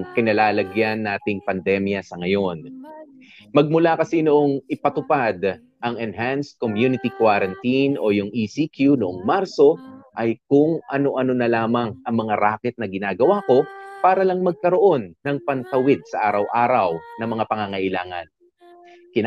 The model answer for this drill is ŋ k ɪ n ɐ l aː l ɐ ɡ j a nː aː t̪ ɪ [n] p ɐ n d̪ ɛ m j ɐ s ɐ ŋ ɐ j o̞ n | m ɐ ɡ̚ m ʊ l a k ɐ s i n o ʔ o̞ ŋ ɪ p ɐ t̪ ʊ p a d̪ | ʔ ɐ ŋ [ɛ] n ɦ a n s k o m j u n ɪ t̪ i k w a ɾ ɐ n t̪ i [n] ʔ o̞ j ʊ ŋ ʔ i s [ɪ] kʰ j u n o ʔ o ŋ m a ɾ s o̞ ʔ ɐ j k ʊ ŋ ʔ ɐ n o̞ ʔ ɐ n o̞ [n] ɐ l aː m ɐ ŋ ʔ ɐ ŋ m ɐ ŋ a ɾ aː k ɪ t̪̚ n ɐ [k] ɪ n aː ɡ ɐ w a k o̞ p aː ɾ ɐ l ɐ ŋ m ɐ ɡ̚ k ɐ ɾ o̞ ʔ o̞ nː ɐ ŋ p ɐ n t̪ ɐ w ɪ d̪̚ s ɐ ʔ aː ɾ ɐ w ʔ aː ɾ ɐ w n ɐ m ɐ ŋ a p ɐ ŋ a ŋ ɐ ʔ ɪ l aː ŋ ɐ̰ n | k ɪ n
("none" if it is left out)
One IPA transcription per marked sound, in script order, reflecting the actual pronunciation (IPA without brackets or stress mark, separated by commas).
ŋ, ɛ, n, i, n, ɡ